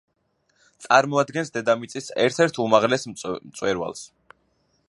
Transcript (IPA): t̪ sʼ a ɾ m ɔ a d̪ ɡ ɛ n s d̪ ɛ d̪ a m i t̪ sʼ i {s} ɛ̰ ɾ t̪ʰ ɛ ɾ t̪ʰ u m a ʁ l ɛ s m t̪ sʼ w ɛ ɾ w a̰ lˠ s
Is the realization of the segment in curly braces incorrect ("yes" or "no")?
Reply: no